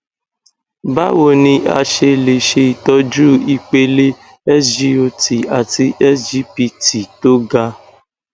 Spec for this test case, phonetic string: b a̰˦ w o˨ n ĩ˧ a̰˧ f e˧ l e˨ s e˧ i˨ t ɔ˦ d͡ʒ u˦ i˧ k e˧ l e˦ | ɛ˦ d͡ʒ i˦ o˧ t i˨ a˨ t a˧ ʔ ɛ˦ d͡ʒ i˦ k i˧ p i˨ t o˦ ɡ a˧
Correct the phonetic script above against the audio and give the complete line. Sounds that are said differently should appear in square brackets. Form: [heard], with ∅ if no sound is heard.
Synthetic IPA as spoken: b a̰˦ w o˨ n ĩ˧ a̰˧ [ʃ] e˧ l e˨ [ʃ] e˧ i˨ t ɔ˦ d͡ʒ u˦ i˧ [k͡p] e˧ l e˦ | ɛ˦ d͡ʒ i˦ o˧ t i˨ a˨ t [i˧] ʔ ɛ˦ d͡ʒ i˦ [p] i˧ [t] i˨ t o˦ ɡ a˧